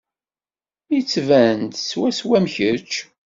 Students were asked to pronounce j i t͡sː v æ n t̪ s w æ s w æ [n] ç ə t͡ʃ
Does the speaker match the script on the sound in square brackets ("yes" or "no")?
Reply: no